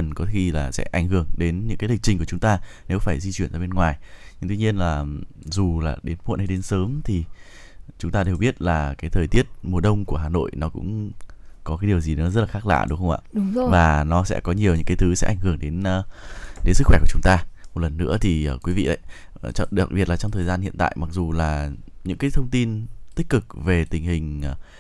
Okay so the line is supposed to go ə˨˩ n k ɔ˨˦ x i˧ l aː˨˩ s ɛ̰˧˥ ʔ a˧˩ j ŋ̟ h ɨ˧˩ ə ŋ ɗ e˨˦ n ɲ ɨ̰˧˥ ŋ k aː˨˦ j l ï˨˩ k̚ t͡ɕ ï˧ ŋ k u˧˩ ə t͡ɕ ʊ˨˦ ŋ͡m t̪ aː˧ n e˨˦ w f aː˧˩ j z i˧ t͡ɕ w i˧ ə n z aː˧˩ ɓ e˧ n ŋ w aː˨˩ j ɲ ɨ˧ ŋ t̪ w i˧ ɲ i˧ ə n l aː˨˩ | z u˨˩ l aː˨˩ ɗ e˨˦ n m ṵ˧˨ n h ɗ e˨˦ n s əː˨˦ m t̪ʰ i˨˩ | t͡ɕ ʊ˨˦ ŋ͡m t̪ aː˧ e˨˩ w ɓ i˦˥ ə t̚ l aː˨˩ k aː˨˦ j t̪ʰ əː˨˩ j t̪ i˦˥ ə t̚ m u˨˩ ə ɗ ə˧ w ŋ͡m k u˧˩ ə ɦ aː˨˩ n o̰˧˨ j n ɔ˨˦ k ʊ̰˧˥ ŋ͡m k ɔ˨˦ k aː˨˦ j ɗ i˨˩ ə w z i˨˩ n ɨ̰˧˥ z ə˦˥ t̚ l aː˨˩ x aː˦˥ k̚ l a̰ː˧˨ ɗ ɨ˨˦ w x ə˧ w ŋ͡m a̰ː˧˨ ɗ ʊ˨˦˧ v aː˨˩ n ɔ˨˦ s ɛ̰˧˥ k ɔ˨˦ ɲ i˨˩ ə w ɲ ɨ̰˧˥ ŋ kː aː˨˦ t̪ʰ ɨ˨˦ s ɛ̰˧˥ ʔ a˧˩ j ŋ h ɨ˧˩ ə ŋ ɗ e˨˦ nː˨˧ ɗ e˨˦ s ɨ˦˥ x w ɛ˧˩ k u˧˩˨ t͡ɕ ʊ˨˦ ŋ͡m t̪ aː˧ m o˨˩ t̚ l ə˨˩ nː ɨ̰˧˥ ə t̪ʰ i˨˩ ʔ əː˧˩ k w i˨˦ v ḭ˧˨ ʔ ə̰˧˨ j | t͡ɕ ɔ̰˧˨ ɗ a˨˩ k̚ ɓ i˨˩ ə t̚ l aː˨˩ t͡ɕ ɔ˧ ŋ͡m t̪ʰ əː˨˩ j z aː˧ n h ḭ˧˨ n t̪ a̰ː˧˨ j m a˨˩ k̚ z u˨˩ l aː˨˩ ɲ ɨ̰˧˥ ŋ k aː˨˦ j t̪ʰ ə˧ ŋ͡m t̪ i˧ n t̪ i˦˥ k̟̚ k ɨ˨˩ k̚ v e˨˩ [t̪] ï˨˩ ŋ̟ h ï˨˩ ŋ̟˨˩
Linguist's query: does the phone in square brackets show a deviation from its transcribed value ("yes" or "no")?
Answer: no